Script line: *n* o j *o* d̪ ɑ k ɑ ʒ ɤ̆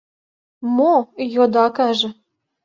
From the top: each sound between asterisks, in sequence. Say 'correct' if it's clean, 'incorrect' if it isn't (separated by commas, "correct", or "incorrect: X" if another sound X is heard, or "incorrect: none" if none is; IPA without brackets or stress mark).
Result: incorrect: m, correct